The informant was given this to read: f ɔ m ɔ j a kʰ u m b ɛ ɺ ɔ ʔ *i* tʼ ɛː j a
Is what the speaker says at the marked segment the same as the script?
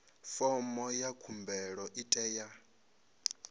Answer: yes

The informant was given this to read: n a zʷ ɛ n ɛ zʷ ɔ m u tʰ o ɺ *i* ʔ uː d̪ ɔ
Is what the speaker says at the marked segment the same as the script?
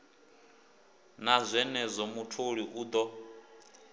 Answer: yes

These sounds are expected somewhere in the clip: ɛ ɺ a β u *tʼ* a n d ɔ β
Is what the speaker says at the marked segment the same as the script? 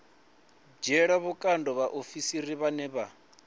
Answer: no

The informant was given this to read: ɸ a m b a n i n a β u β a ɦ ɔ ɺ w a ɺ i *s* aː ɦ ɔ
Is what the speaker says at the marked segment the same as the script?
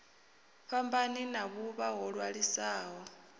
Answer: yes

